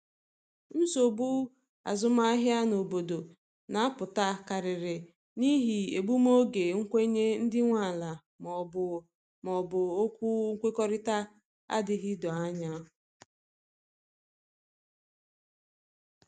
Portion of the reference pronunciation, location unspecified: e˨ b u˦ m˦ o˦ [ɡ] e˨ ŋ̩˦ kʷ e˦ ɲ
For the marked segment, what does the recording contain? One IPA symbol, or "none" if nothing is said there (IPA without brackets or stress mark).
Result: ɡ